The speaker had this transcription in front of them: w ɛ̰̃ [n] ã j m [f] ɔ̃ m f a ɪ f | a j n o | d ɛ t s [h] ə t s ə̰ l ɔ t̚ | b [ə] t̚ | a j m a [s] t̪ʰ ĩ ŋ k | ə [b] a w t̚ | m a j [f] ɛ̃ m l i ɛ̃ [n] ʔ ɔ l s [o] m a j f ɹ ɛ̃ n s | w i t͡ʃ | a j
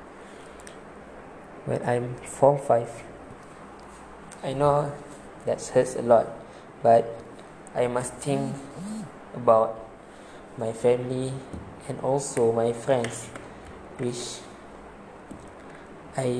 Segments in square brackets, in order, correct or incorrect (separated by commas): correct, correct, correct, incorrect, correct, correct, correct, correct, correct